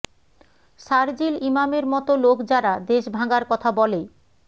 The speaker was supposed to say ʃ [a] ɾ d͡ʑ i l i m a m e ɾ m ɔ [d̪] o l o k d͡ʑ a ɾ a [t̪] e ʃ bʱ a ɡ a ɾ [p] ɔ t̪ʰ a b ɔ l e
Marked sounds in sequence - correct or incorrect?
correct, incorrect: t̪, incorrect: d̪, incorrect: k

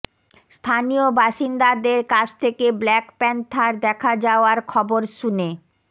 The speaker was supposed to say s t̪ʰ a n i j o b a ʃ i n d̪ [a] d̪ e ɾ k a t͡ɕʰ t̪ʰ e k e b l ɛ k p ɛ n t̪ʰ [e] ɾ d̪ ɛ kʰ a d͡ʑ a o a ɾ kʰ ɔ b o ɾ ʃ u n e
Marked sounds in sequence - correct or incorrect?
correct, incorrect: a

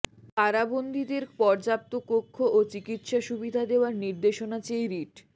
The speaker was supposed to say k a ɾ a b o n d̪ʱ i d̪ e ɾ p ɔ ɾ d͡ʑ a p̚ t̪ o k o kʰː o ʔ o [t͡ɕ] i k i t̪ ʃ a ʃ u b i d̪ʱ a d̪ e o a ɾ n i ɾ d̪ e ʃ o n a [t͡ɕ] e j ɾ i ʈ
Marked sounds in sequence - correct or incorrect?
correct, correct

